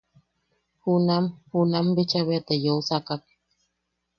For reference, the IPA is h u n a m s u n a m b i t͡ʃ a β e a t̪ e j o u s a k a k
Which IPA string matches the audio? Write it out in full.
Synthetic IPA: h u n a m h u n a m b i t͡ʃ a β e a t̪ e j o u s a k a k